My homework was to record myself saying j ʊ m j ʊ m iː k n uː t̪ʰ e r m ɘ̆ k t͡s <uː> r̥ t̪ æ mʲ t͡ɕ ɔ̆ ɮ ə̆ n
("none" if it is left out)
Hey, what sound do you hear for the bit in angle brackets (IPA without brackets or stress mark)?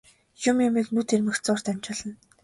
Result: ʊː